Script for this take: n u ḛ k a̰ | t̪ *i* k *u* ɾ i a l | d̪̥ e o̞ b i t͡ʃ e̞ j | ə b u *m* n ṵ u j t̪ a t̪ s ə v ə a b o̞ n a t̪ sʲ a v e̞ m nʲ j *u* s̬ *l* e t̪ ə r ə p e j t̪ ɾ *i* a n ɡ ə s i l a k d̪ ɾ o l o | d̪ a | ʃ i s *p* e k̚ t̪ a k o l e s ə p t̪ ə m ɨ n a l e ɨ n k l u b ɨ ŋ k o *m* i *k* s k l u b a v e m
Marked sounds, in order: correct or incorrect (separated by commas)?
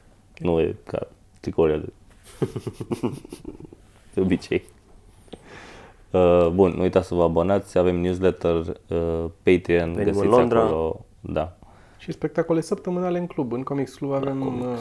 correct, incorrect, incorrect, correct, correct, correct, correct, correct, correct